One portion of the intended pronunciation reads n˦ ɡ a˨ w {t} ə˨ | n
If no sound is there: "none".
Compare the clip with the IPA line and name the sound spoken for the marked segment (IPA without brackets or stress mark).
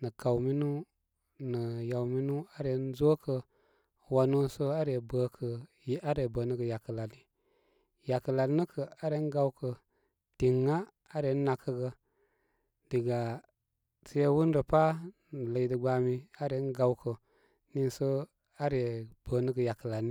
k